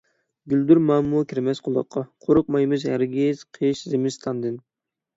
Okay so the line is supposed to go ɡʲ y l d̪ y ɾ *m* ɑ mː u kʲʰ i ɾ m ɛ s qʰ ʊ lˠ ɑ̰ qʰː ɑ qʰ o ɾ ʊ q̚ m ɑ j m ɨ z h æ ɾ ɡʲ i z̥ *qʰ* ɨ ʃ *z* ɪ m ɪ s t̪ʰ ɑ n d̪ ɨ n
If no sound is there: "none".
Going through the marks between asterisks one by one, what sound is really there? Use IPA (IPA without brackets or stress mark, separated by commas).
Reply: m, qʰ, z